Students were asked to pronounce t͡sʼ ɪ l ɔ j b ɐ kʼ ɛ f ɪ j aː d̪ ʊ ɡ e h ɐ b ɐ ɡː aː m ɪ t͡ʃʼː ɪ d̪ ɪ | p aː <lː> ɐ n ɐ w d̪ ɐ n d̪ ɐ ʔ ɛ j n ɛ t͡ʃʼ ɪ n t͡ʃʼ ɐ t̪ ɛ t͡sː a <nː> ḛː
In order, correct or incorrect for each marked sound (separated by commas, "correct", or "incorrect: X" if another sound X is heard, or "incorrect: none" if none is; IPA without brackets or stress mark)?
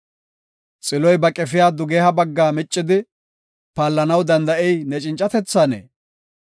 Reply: correct, incorrect: n